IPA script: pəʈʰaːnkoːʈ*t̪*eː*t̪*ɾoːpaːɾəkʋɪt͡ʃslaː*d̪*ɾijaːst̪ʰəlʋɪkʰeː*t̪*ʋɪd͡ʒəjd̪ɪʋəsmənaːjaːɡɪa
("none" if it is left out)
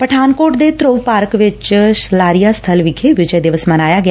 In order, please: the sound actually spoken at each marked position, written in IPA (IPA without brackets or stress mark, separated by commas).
d̪, t̪, none, none